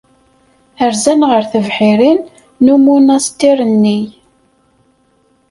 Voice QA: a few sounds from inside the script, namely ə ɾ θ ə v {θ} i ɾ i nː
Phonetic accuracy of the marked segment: incorrect: ħ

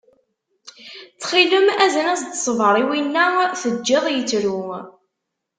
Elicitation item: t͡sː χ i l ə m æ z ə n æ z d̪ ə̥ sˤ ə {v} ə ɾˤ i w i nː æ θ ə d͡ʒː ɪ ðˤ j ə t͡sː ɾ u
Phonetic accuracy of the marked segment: correct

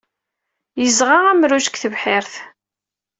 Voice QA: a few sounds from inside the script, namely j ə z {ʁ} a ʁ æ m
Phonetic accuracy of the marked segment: correct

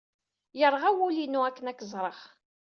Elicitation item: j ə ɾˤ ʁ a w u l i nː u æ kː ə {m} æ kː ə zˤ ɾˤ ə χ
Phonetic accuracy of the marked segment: incorrect: n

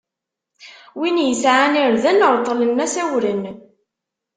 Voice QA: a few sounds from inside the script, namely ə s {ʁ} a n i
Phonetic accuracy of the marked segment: incorrect: ʕ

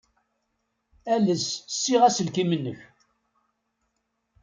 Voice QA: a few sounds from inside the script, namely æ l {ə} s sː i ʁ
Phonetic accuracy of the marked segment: correct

